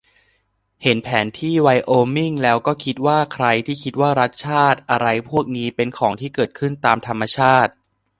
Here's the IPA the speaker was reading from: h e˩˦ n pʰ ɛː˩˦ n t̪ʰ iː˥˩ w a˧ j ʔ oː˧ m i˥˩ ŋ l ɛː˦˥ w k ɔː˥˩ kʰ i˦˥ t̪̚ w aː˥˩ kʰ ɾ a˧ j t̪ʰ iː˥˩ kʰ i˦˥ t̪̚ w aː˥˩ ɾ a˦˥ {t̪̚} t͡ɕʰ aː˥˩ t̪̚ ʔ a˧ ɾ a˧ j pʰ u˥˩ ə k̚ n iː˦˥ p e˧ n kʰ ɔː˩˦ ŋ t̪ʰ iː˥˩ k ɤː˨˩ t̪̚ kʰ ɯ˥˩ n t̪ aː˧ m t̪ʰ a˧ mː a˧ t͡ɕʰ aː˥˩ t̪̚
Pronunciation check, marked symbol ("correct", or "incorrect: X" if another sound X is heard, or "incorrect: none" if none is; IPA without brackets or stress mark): correct